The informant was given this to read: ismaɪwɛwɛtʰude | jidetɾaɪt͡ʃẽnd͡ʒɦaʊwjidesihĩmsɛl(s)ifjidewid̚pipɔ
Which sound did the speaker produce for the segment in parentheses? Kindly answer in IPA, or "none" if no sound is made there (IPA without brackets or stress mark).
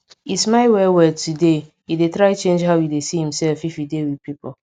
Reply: f